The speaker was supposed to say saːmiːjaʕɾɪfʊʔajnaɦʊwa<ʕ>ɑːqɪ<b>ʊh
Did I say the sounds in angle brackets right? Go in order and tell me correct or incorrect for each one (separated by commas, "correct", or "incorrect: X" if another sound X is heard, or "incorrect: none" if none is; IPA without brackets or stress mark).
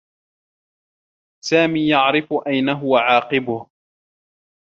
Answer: correct, correct